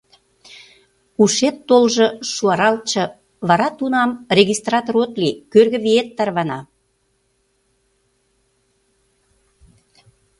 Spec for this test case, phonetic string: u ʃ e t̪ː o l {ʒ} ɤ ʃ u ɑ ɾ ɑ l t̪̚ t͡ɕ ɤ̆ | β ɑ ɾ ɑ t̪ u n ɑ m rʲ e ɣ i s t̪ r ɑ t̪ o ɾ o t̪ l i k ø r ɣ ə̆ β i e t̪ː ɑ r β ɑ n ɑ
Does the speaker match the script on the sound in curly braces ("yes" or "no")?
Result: yes